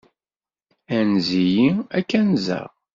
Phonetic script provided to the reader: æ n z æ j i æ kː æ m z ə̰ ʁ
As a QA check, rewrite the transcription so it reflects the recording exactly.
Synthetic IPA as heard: æ n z i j i æ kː æ n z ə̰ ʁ